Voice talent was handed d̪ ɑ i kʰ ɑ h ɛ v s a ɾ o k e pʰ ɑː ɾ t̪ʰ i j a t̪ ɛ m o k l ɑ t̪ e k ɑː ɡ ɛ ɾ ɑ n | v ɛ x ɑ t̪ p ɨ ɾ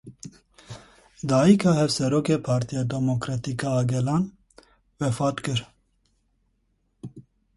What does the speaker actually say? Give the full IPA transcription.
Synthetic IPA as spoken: d̪ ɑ i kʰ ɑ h ɛ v s ɛ ɾ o k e pʰ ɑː ɾ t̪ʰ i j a d̪ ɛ m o k ɾ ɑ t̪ i k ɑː ɡ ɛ l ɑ n | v ɛ f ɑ t̪ k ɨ ɾ